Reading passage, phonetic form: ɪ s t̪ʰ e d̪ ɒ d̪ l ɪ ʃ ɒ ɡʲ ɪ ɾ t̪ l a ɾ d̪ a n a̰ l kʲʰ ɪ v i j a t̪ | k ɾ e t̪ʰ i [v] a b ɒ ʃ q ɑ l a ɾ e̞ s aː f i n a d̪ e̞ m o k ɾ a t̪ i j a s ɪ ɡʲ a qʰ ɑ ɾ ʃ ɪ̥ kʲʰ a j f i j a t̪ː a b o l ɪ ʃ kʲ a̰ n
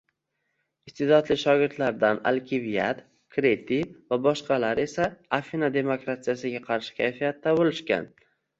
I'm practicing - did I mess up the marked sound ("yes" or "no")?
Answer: no